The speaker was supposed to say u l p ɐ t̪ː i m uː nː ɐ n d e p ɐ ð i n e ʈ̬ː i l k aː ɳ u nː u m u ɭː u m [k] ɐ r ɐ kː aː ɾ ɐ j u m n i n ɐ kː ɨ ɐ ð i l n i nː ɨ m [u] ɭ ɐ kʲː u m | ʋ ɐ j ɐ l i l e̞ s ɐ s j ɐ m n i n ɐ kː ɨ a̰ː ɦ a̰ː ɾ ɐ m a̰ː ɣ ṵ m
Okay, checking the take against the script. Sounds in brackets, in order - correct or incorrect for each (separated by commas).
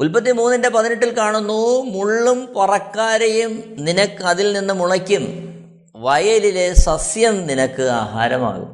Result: incorrect, correct